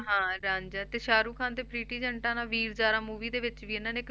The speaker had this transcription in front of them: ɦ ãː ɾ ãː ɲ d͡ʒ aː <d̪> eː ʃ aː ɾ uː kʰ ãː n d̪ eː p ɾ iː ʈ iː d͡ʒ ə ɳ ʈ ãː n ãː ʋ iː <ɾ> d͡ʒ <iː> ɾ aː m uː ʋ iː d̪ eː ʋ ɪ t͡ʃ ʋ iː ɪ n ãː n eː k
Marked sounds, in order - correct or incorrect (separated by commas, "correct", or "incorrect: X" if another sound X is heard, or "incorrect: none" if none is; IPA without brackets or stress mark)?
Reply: incorrect: t̪, correct, incorrect: aː